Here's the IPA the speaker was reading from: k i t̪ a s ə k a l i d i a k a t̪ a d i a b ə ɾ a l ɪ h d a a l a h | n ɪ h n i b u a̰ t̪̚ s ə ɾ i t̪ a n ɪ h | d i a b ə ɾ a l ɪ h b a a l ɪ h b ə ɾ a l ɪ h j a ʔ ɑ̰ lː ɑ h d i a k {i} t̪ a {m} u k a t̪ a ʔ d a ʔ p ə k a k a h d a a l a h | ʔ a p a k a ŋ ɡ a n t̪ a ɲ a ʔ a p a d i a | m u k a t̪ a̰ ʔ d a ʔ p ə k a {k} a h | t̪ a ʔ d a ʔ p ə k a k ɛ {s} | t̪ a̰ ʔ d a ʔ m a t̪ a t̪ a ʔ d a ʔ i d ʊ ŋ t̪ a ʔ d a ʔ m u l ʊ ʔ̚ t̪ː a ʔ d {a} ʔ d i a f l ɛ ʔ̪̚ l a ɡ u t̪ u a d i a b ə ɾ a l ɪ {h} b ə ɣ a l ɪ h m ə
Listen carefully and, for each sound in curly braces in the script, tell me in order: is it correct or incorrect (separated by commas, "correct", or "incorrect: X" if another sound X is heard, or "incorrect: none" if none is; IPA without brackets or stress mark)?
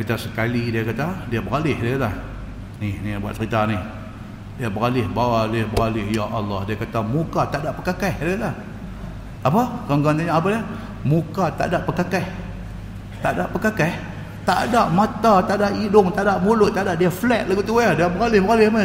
incorrect: a, correct, correct, incorrect: h, correct, correct